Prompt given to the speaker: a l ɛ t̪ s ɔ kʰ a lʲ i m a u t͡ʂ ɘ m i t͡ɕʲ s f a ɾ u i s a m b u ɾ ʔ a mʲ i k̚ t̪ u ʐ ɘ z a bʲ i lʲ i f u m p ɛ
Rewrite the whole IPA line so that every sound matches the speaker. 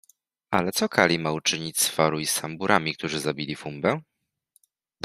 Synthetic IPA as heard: a l ɛ t̪ s ɔ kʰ a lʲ i m a u t͡ʂ ɘ ɲ i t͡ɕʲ s f a ɾ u i s a m b u ɾ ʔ a mʲ i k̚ t̪ u ʐ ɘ z a bʲ i lʲ i f u m b ɛ

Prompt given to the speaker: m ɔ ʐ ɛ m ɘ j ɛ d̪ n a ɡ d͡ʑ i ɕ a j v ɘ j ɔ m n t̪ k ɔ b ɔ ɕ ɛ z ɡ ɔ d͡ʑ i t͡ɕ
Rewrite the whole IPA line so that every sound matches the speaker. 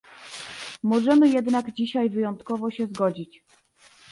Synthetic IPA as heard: m ɔ ʐ ɛ m ɘ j ɛ d̪ n a ɡ d͡ʑ i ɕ a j v ɘ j ɔ n t̪ k ɔ v ɔ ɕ ɛ z ɡ ɔ d͡ʑ i t͡ɕ

